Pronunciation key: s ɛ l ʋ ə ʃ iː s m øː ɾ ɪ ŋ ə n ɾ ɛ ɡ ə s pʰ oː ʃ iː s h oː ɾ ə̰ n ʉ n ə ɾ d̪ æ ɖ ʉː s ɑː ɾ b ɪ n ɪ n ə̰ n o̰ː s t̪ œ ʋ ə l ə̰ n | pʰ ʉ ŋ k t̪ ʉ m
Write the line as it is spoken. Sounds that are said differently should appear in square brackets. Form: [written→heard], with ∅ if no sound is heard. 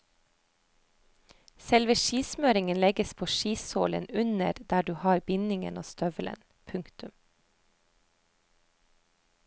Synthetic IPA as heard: s ɛ l ʋ ə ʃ iː s m øː ɾ ɪ ŋ ə n [ɾ→l] ɛ ɡ ə s pʰ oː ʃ iː s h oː [ɾ→l] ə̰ n ʉ n ə ɾ d̪ [æ→æː] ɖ ʉː [s→h] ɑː ɾ b ɪ n ɪ [n→ŋ] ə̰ n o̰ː s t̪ œ ʋ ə l ə̰ n | pʰ ʉ ŋ k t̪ ʉ m